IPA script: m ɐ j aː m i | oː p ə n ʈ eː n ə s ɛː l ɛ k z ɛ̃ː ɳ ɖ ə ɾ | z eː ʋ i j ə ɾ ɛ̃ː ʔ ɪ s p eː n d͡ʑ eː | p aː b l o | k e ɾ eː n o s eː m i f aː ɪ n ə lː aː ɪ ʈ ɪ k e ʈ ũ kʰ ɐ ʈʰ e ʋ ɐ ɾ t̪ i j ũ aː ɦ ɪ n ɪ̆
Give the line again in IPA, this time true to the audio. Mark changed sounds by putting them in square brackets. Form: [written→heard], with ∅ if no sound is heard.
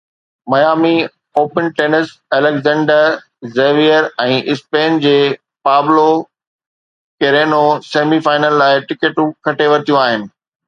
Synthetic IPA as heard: m ɐ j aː m i | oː p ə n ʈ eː n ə s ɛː l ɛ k z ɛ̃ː ɳ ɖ ə ɾ | z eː ʋ i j ə ɾ ɛ̃ː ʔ ɪ s p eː n d͡ʑ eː | p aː b l o | k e ɾ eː n o s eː m i f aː ɪ n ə lː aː ɪ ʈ ɪ k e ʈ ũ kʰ ɐ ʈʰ e ʋ ɐ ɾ t̪ i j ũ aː ɦ ɪ n ɪ̆